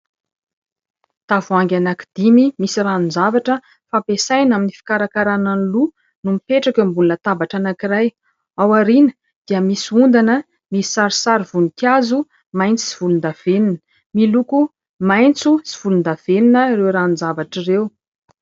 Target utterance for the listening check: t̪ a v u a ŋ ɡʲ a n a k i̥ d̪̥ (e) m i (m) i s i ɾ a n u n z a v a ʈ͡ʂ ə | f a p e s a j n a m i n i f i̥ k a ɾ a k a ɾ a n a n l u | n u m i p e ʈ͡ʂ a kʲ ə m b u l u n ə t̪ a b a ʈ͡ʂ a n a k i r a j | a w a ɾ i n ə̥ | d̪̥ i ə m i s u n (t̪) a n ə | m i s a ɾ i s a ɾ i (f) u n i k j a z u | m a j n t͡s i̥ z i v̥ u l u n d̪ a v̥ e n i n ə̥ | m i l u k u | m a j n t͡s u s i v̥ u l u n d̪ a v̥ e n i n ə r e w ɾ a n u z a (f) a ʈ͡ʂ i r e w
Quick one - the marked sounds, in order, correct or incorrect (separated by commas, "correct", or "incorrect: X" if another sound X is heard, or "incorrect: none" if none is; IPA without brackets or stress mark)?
incorrect: i, correct, incorrect: d̪, incorrect: v, incorrect: v